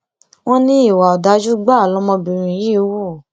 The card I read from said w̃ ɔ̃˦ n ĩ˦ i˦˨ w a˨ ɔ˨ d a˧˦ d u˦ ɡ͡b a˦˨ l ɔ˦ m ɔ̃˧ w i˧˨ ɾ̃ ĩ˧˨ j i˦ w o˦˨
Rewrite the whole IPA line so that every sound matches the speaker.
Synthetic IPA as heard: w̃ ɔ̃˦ n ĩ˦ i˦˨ w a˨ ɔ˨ d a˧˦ d͡ʒ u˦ ɡ͡b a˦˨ l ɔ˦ m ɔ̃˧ b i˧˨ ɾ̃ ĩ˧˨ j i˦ w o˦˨